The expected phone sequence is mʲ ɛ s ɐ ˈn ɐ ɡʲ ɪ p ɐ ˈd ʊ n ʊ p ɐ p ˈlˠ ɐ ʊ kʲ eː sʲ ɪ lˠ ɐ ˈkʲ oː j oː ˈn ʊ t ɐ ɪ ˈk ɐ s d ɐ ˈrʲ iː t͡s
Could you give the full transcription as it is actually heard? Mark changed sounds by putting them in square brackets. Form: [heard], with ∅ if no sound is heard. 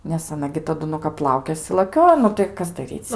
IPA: [nʲ] ɛ s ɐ ˈn ɐ ɡʲ ɪ [t] ɐ ˈd ʊ n ʊ [k] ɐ p ˈlˠ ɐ ʊ kʲ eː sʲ ɪ lˠ ɐ ˈkʲ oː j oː ˈn ʊ t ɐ ɪ ˈk ɐ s d ɐ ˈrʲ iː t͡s